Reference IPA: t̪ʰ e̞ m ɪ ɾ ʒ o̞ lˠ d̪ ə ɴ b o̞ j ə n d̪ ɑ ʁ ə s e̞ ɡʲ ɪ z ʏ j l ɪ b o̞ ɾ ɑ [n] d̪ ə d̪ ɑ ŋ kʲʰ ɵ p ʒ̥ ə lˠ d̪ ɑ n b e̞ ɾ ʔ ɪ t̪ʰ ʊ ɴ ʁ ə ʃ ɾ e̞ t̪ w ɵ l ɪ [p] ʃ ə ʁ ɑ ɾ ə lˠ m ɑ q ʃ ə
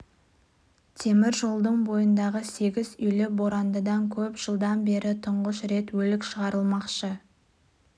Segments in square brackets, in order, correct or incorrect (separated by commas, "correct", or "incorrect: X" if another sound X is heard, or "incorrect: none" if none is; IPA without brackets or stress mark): correct, incorrect: k